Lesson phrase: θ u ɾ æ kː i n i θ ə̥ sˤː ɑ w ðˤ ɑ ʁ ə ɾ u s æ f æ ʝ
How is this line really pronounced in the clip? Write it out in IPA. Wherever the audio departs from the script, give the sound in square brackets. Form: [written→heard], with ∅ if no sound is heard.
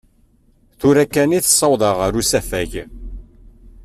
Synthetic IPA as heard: θ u ɾ æ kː [i→æ] n i θ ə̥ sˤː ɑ w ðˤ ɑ ʁ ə ɾ u s æ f æ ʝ